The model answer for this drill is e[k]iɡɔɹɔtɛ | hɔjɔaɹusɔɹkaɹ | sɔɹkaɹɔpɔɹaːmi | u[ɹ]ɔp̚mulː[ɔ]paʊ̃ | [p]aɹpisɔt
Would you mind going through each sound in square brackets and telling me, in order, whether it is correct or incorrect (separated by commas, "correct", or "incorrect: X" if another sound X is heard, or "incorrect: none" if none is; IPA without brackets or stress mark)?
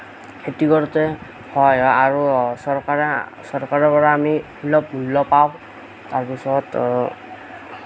incorrect: t, incorrect: l, correct, incorrect: t